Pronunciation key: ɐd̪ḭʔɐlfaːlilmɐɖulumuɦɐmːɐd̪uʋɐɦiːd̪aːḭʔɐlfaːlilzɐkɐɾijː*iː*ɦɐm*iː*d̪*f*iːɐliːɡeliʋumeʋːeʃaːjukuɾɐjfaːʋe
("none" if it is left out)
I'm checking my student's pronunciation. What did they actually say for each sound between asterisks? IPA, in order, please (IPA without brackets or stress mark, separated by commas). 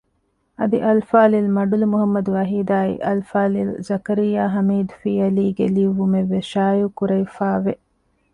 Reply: aː, iː, f